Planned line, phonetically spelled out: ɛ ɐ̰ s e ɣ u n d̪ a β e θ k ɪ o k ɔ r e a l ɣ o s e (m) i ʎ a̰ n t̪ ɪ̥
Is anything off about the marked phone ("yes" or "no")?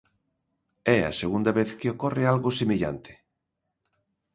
no